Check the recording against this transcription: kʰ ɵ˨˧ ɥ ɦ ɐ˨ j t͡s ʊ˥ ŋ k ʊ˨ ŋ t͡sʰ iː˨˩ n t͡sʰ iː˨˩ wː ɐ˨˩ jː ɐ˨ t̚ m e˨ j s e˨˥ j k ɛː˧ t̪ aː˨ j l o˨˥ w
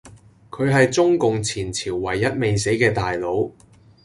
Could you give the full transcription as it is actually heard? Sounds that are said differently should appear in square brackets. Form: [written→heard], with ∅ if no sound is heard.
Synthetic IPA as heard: kʰ ɵ˨˧ ɥ ɦ ɐ˨ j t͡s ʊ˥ ŋ k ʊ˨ ŋ t͡sʰ iː˨˩ n t͡sʰ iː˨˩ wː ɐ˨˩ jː [ɐ˨→ɐ˥] t̚ m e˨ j s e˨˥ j k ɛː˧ t̪ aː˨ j l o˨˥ w